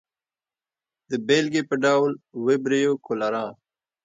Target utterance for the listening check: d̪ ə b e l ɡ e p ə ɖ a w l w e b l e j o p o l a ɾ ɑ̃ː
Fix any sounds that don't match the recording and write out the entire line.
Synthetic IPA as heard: d̪ ə b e l ɡ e p ə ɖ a w l w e b ɾ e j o k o l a ɾ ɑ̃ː